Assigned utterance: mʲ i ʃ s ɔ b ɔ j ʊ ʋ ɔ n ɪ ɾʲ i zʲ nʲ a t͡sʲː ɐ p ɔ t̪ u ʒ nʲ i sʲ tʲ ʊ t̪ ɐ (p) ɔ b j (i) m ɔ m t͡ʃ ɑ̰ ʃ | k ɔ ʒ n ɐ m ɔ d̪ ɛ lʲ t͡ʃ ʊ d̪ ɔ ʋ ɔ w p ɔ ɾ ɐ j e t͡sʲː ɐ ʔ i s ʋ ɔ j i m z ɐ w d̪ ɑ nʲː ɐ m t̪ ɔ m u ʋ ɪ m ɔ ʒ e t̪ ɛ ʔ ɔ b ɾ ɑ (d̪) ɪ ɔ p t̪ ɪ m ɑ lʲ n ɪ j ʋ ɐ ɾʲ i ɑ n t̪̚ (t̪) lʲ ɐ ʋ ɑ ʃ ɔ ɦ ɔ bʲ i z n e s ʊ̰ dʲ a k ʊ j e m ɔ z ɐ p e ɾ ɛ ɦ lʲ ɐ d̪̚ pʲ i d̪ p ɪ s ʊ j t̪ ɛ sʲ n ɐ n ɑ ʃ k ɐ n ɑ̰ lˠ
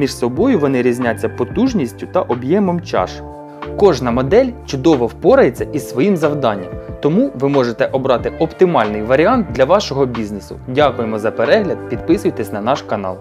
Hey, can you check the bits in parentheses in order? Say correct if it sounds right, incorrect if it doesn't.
incorrect: ʔ, incorrect: ɛ, incorrect: t̪, incorrect: d̪

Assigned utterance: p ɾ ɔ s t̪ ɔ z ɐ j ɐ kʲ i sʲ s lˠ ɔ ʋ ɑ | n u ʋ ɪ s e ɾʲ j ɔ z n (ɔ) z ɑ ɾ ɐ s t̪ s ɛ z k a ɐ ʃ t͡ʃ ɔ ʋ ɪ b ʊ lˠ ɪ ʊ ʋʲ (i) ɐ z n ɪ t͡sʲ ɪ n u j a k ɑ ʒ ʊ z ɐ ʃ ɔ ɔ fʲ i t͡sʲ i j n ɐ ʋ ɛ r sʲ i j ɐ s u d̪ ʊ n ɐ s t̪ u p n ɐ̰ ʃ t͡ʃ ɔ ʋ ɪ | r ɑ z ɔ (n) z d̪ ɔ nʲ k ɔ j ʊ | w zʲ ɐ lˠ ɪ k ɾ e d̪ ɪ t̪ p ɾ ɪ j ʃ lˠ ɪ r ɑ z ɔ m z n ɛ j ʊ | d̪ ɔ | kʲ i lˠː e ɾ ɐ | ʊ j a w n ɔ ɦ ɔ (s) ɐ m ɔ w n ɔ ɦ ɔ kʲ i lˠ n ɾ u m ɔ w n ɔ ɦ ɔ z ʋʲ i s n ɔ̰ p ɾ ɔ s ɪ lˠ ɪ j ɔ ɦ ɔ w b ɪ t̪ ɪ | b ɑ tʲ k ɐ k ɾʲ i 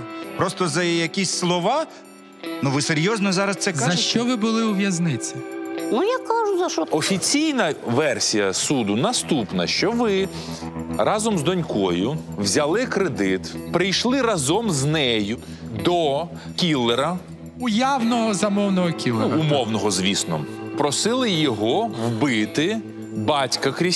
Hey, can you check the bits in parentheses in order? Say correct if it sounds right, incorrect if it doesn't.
correct, incorrect: j, incorrect: m, incorrect: z

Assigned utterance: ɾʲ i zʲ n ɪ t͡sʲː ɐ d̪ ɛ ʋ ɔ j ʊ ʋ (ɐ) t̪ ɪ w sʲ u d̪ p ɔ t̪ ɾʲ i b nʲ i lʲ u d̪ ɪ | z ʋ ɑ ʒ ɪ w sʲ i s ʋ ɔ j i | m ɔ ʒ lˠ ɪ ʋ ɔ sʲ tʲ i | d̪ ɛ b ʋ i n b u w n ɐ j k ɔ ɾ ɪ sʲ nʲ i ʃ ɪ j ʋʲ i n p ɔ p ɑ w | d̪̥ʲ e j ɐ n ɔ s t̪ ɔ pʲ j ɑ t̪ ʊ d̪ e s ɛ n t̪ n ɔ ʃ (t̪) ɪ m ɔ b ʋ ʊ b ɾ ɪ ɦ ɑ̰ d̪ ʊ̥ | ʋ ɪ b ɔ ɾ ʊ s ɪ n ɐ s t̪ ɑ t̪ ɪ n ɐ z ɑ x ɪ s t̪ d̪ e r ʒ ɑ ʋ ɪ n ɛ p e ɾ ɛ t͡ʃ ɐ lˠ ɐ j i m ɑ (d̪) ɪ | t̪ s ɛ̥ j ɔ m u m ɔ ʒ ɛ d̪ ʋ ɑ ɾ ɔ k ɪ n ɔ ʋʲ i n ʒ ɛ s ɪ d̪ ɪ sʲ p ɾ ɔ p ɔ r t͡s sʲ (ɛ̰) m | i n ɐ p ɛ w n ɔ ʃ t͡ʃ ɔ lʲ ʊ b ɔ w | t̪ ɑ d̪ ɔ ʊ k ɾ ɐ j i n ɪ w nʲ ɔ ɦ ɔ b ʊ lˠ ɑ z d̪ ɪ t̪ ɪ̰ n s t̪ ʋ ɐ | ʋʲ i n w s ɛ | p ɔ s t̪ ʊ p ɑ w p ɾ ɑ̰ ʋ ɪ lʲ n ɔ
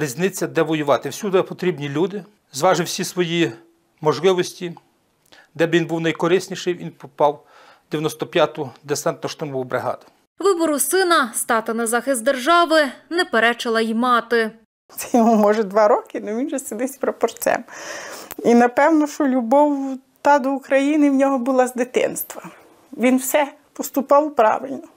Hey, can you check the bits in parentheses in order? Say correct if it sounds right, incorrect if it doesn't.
incorrect: ɑ, correct, incorrect: t̪, correct

